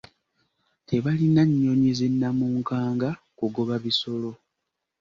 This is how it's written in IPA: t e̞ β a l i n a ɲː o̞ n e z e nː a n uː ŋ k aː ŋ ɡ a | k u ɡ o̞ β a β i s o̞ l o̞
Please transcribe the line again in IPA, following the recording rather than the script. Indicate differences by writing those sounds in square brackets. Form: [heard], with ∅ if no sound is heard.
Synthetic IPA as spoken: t e̞ β a l i n a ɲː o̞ [ɲ] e z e nː a [m] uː ŋ k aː ŋ ɡ a | k u ɡ o̞ β a β i s o̞ l o̞